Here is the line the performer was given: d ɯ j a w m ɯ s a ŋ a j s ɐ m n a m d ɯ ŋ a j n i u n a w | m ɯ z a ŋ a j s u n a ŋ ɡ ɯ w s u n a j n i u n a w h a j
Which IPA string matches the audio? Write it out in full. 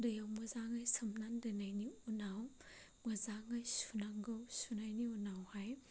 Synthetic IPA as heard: d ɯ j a w m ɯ z a ŋ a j s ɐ m n a n d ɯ n a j n i u n a w | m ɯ z a ŋ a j s u n a ŋ ɡ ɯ w s u n a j n i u n a w h a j